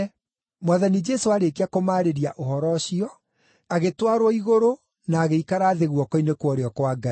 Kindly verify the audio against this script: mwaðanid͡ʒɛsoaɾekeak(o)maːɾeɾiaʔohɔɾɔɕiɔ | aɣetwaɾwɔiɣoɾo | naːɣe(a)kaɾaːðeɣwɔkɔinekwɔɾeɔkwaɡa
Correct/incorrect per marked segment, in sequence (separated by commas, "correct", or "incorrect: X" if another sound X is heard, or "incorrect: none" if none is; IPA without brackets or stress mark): correct, incorrect: i